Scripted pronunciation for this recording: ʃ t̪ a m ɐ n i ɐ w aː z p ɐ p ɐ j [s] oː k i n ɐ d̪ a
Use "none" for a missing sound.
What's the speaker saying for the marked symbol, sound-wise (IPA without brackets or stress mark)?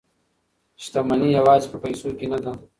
s